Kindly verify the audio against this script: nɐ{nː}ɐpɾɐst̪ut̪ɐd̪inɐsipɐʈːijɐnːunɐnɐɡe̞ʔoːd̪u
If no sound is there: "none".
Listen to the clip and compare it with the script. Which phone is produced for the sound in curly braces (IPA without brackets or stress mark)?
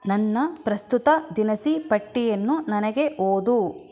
nː